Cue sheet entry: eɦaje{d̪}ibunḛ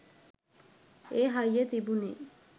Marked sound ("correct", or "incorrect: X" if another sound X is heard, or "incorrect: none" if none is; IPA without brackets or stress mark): incorrect: t̪